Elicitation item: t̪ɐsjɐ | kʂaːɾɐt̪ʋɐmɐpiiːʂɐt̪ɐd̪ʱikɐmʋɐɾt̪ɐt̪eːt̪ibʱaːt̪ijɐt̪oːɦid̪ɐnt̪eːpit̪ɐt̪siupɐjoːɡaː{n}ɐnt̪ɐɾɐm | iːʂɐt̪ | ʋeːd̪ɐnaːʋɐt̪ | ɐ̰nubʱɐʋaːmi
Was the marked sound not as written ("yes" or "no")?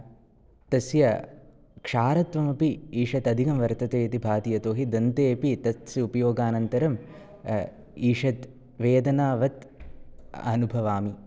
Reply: no